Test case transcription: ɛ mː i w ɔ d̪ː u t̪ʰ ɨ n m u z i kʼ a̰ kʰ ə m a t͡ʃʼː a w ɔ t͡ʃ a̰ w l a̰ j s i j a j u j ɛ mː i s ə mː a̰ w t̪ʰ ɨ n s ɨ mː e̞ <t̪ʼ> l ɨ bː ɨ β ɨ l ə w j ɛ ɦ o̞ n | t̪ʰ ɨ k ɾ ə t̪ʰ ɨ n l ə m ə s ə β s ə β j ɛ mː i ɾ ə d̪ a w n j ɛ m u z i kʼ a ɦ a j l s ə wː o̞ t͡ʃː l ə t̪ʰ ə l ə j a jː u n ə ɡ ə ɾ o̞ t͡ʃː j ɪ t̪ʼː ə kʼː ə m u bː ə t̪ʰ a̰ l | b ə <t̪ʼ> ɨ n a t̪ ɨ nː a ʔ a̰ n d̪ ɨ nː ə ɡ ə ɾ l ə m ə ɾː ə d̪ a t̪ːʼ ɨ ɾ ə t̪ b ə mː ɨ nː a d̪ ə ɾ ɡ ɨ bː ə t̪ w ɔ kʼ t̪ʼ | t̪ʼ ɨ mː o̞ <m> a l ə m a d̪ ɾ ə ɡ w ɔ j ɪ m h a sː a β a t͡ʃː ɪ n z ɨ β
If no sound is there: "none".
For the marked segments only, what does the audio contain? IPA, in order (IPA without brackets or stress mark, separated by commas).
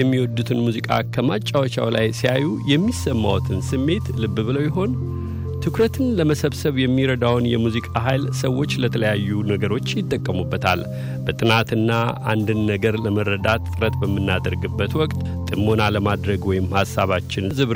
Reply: t̪, t̪ʼ, n